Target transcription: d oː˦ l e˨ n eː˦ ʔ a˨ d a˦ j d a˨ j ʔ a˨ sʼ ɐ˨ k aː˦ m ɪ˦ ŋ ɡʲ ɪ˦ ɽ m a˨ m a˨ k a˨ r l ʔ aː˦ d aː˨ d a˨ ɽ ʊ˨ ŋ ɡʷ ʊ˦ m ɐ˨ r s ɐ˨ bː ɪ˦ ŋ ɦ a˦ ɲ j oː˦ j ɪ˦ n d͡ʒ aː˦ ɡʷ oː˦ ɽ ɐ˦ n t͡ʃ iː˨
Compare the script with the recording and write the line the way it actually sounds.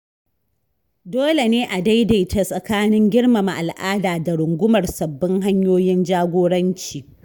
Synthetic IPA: d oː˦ l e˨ n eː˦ ʔ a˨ d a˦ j d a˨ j t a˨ sʼ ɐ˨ k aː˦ n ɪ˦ ŋ ɡʲ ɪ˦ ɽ m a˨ m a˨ ʔ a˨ l ʔ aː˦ d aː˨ d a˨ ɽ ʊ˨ ŋ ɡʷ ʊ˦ m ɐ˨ r s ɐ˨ bː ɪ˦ ŋ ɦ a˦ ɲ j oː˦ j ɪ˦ n d͡ʒ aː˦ ɡʷ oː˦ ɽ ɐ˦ n t͡ʃ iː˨